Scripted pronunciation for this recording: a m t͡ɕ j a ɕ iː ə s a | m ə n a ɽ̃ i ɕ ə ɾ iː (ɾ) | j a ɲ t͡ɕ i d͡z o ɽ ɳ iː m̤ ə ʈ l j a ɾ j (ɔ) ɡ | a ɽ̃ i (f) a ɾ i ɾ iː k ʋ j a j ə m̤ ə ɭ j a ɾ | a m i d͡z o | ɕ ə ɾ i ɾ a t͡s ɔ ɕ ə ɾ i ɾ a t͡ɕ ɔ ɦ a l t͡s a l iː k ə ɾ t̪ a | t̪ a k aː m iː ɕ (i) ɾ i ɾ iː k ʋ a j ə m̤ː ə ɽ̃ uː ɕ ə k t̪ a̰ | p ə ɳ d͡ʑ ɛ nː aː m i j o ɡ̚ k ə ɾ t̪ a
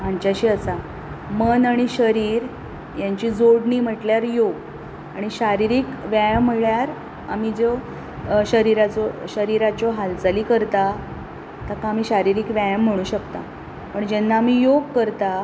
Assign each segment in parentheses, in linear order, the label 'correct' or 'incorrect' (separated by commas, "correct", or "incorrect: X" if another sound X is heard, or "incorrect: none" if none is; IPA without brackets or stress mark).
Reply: correct, incorrect: o, incorrect: ɕ, incorrect: a